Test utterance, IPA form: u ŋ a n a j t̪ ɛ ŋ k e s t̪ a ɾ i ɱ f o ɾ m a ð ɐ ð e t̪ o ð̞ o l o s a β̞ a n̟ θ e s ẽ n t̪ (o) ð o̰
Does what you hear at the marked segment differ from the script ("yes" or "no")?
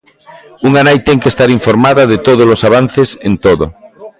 no